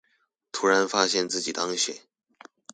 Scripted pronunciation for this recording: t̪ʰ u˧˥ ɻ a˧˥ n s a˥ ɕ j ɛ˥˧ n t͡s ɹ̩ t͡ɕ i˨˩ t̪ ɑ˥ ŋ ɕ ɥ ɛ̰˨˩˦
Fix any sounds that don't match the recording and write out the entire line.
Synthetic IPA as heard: t̪ʰ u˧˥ ɻ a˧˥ n f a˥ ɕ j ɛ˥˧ n t͡s ɹ̩ t͡ɕ i˨˩ t̪ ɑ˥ ŋ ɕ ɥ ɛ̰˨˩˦